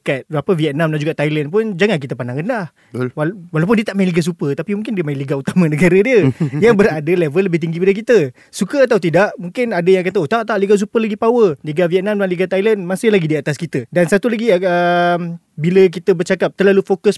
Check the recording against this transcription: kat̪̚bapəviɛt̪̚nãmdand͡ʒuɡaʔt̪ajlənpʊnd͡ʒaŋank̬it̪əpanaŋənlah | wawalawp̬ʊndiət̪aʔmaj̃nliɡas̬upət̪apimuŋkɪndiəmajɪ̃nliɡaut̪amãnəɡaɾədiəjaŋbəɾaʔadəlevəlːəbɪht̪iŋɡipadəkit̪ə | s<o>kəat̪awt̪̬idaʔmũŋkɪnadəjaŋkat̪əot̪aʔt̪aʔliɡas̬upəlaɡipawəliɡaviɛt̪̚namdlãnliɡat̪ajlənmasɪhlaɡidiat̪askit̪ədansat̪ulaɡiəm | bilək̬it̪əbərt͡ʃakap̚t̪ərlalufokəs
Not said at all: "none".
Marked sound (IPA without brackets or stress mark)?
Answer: u